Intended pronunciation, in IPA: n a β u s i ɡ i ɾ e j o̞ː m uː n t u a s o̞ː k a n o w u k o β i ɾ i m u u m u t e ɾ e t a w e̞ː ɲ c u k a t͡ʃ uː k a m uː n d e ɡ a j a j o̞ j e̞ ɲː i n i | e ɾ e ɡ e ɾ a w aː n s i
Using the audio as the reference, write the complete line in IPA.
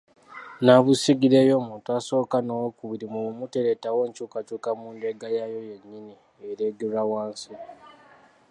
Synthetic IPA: n a β u s i ɡ i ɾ e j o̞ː m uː n t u a s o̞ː k a n o w o k u β i ɾ i m u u m u t e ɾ e t a w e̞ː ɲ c u k a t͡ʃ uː k a m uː n d e ɡ a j a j o̞ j e̞ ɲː i n i | e ɾ e ɡ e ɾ a w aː n s i